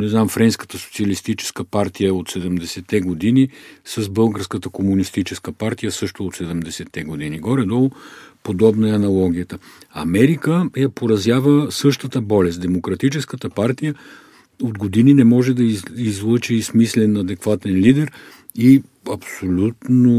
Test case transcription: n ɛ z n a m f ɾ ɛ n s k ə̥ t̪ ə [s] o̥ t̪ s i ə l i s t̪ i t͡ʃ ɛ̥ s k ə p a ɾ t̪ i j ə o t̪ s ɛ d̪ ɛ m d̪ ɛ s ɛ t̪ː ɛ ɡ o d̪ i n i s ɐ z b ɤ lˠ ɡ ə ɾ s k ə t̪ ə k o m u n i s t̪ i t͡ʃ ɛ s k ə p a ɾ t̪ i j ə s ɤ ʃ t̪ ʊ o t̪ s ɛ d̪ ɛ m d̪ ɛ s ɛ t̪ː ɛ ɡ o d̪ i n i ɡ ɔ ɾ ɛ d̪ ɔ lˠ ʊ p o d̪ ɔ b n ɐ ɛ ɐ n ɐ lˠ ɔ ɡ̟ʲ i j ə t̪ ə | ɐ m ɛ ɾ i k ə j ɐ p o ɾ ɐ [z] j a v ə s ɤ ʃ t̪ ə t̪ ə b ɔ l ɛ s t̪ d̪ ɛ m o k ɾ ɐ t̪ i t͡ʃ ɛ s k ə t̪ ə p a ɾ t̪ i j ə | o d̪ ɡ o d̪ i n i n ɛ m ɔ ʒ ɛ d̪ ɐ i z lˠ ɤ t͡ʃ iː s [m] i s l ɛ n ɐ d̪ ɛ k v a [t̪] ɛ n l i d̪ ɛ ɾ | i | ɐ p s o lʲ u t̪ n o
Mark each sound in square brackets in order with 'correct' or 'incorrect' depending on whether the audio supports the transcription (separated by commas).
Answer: correct, correct, correct, correct